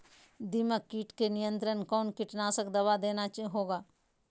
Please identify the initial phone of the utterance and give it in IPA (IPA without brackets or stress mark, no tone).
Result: d̪